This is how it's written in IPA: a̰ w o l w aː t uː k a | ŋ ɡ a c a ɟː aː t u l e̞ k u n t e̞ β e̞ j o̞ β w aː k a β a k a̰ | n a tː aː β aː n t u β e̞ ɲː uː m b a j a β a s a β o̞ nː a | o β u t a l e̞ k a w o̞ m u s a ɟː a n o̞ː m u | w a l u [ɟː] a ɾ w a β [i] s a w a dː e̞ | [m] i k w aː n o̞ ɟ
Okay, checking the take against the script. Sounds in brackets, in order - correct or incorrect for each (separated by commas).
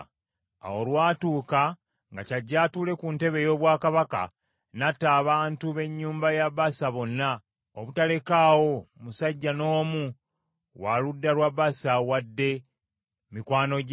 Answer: incorrect, incorrect, correct